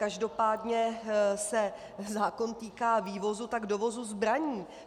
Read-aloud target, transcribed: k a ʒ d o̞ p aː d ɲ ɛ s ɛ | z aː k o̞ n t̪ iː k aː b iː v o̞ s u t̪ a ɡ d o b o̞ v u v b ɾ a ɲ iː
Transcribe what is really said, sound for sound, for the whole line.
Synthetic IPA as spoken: k a ʒ d o̞ p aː d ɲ ɛ s ɛ | z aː k o̞ n t̪ iː k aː v iː v o̞ z u t̪ a ɡ d o v o̞ z u z b ɾ a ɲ iː